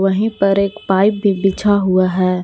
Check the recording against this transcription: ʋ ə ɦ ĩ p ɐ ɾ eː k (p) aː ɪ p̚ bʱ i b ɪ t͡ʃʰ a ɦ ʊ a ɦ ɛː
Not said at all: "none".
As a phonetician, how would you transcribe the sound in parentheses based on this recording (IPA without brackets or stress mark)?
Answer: p